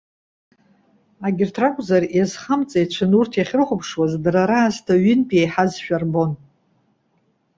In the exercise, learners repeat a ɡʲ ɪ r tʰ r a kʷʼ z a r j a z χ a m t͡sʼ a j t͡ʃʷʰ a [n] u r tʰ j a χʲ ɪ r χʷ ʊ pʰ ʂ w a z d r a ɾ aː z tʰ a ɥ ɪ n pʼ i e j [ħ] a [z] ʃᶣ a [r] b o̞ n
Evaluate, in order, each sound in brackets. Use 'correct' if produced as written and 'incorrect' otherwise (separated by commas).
correct, correct, correct, correct